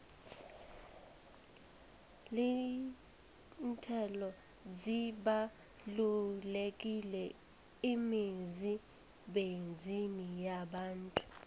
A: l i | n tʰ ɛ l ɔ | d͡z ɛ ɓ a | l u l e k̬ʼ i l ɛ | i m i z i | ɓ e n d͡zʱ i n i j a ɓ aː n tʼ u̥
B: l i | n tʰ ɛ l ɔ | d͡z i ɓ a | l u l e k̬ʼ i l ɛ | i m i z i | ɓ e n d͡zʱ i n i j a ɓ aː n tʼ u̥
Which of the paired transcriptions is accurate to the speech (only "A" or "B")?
B